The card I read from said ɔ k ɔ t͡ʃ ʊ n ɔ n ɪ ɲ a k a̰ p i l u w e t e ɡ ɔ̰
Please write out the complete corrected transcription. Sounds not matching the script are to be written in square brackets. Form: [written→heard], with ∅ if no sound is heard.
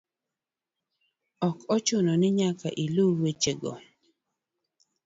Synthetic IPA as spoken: ɔ k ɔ t͡ʃ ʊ n ɔ n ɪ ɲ a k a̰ [p→ʔ] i l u w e [t→t͡ʃ] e ɡ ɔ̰